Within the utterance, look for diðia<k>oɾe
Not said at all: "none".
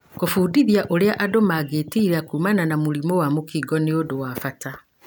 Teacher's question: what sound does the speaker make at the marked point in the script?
ʔ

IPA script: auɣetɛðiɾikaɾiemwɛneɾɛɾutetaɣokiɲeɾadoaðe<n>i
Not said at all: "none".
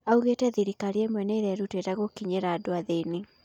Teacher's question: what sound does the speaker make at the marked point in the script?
n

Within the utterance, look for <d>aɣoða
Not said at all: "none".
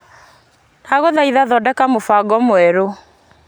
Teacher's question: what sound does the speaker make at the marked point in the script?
n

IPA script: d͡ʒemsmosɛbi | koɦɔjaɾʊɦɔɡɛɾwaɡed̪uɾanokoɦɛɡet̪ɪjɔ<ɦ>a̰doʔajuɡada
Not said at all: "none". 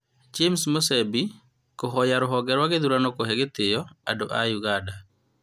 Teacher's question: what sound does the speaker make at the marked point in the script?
none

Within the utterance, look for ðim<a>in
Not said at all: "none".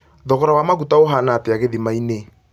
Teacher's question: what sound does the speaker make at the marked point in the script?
a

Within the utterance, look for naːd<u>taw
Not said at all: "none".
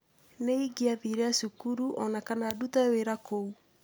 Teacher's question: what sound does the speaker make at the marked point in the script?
u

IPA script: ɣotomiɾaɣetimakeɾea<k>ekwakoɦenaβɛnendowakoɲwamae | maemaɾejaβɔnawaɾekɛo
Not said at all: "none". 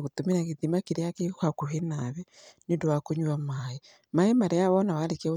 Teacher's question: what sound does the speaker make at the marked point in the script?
k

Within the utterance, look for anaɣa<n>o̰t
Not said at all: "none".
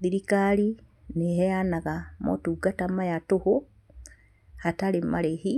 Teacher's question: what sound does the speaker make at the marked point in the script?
m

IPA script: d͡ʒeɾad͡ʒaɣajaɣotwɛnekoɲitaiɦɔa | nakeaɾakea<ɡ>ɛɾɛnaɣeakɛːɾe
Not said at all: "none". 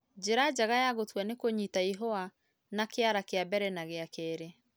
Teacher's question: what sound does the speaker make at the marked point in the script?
b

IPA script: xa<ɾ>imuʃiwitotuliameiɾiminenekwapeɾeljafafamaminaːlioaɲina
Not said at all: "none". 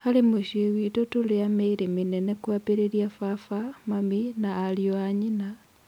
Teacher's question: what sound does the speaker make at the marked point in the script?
l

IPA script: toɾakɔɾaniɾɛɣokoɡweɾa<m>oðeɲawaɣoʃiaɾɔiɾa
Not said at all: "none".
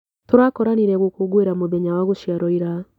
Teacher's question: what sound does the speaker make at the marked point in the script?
m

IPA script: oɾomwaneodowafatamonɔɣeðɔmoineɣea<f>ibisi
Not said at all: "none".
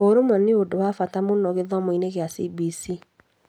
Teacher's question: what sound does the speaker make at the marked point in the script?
s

